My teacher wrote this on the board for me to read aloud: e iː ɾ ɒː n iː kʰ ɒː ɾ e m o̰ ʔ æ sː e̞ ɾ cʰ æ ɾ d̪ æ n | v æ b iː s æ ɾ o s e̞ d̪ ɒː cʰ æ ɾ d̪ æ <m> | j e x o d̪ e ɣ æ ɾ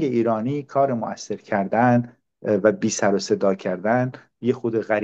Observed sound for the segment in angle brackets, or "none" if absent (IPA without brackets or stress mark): n